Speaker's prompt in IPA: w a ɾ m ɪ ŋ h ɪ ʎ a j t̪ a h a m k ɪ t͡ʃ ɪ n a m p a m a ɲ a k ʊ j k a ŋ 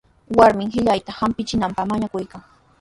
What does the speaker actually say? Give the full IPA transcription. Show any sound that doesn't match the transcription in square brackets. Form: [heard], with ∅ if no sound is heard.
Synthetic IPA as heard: w a ɾ m ɪ ŋ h ɪ ʎ a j t̪ a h a m [p] ɪ t͡ʃ ɪ n a m p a m a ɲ a k ʊ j k a ŋ